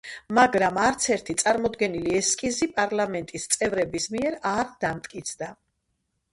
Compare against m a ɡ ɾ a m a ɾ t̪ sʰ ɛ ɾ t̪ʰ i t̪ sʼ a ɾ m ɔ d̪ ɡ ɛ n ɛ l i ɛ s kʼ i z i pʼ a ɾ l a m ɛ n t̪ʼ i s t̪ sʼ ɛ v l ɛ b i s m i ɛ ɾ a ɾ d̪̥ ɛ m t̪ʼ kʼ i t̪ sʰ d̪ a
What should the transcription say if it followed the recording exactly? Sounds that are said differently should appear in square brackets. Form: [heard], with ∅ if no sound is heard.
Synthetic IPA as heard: m a ɡ ɾ a m a ɾ t̪ sʰ ɛ ɾ t̪ʰ i t̪ sʼ a ɾ m ɔ d̪ ɡ ɛ n [i] l i ɛ s kʼ i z i pʼ a ɾ l a m ɛ n t̪ʼ i s t̪ sʼ ɛ v [ɾ] ɛ b i s m i ɛ ɾ a ɾ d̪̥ [a] m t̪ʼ kʼ i t̪ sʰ d̪ a